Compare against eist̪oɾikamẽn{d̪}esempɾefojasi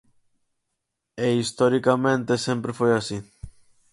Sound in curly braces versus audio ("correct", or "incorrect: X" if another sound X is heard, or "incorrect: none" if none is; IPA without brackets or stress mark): incorrect: t̪